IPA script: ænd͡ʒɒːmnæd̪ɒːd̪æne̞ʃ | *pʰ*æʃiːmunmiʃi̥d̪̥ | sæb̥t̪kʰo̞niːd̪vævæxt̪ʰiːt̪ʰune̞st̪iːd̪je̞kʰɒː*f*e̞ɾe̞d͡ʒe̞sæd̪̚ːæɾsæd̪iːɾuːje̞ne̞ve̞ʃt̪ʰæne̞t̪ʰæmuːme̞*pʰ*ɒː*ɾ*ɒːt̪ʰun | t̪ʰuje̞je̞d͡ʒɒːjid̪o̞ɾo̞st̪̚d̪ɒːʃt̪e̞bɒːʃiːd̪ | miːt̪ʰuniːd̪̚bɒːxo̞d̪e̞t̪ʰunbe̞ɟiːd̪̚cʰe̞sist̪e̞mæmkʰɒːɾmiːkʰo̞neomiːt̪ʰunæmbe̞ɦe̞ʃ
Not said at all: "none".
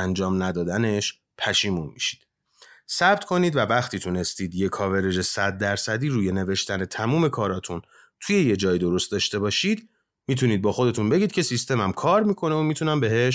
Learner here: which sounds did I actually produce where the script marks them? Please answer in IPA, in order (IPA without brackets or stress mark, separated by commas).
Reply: pʰ, v, kʰ, ɾ